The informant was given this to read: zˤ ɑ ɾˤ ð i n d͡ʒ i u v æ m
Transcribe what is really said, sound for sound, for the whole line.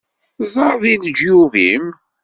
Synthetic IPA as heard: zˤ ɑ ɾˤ ð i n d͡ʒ j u v i m